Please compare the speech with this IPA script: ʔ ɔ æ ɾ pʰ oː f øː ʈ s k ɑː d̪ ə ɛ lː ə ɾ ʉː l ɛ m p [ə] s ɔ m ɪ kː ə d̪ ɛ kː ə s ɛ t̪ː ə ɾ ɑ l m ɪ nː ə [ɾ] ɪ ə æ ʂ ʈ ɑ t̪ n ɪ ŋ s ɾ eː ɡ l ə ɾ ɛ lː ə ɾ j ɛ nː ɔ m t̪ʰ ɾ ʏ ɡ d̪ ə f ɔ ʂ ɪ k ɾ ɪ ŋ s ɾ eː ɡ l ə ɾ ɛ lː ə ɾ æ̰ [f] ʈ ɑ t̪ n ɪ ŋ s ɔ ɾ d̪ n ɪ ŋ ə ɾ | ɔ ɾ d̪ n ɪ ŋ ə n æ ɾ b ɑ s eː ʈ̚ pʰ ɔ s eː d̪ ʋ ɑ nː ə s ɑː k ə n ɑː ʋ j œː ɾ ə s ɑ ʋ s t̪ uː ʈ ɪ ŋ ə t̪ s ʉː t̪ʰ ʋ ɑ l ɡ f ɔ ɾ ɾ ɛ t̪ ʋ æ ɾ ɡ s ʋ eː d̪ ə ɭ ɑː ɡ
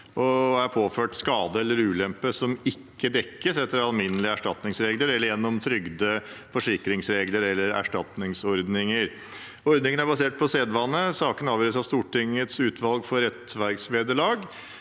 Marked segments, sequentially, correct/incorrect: correct, incorrect: l, incorrect: ʂ

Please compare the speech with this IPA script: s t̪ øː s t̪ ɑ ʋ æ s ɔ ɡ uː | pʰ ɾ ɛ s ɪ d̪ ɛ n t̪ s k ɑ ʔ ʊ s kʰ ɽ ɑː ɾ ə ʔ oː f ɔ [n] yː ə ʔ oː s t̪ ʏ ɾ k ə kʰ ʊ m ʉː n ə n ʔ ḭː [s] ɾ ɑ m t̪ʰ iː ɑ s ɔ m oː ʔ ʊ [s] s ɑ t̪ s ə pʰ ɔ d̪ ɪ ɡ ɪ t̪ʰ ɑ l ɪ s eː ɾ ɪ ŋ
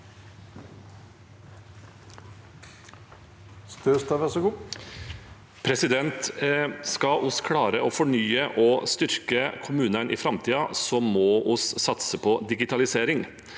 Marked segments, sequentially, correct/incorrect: incorrect: ɳ, incorrect: f, correct

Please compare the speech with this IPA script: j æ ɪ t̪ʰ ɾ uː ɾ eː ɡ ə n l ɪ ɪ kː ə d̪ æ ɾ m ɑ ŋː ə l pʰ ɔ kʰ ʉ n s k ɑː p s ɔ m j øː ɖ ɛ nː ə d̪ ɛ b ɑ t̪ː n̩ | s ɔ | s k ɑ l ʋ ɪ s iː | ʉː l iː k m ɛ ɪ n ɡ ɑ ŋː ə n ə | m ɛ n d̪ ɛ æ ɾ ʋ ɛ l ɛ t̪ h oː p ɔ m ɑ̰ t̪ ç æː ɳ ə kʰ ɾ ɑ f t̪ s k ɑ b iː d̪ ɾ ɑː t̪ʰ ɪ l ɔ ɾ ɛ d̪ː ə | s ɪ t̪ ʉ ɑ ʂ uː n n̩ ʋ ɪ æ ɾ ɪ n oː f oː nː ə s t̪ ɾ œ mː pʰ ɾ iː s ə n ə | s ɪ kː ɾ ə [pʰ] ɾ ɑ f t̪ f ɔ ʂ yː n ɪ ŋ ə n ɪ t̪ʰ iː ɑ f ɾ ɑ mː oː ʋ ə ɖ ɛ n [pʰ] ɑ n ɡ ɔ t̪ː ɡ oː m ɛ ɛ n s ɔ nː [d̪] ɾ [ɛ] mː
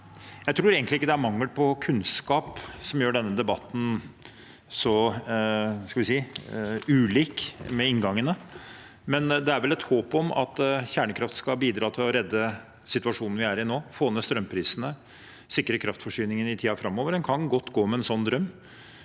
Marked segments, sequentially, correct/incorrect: incorrect: kʰ, incorrect: kʰ, correct, incorrect: œ

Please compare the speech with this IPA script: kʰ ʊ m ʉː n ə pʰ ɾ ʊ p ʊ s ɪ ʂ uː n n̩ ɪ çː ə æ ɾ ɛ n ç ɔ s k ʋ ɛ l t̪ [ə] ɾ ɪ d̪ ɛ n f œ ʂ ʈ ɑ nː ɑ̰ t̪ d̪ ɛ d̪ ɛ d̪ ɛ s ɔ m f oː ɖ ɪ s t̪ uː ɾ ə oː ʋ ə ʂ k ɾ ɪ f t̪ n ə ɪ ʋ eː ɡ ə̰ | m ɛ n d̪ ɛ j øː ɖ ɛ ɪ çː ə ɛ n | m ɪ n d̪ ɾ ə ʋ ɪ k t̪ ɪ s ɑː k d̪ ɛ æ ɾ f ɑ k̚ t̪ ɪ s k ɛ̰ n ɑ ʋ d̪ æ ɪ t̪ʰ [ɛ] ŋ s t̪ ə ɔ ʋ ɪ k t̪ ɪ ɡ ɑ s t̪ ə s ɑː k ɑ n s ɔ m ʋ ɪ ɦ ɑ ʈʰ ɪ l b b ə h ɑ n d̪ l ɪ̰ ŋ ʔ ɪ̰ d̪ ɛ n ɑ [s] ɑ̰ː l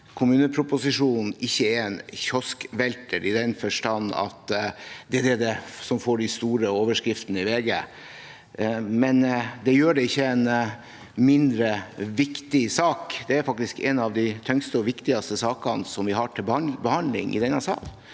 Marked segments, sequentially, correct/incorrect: correct, incorrect: œ, correct

